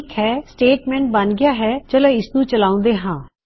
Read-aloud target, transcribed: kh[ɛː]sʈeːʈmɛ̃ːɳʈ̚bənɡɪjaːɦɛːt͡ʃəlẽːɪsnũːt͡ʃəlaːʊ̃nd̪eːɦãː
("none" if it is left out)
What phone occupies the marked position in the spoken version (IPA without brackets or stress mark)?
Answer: ɛː